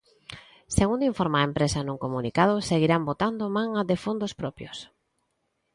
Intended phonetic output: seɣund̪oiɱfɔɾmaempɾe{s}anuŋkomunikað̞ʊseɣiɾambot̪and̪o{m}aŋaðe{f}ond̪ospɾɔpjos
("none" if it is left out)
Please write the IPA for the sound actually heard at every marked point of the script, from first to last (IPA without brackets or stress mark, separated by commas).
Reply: s, m, f